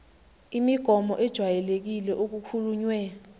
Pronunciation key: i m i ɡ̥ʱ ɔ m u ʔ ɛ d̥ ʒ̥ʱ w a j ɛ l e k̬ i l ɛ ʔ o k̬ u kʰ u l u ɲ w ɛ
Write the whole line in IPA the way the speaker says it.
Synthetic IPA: i m i ɡ̥ʱ ɔ m ɔ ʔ ɛ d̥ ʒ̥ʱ w a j ɛ l e k̬ i l ɛ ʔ o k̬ u kʰ u l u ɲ w ɛ